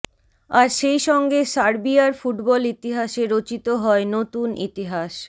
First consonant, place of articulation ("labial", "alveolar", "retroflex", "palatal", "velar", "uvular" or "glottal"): alveolar